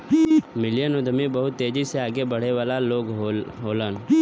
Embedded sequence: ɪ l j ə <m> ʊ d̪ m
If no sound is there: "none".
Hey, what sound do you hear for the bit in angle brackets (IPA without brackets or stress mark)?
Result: n